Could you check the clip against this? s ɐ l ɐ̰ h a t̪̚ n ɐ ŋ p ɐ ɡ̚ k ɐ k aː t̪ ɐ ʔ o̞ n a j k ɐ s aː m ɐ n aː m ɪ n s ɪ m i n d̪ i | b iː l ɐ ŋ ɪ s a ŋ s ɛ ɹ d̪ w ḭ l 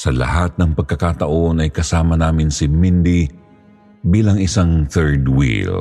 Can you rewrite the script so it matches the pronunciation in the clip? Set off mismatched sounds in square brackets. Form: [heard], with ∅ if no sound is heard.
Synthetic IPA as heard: s ɐ l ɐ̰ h a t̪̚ n ɐ ŋ p ɐ ɡ̚ k ɐ k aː t̪ ɐ ʔ o̞ n [ɐ] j k ɐ s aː m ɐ n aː m ɪ n s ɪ m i n d̪ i | b iː l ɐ ŋ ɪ s a ŋ [θ] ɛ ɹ d̪ w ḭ l